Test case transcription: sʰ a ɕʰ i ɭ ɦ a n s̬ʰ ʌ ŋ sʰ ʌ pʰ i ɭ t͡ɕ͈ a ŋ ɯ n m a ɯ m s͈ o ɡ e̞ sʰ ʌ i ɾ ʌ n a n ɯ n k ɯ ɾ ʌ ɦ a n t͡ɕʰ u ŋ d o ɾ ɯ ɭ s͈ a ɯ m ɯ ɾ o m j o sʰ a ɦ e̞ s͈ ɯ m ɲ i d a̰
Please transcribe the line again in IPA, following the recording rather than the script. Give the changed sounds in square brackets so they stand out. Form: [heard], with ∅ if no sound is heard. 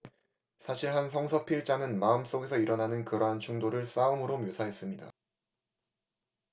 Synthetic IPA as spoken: sʰ a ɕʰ i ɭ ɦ a n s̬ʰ ʌ ŋ sʰ ʌ pʰ i ɭ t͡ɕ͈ a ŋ ɯ n m a ɯ m s͈ o ɡ e̞ sʰ ʌ i ɾ ʌ n a n ɯ n k ɯ ɾ ʌ ɦ a n t͡ɕʰ u ŋ d o ɾ ɯ ɭ s͈ a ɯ m ɯ ɾ o m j o sʰ a ɦ e̞ s͈ ɯ m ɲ i d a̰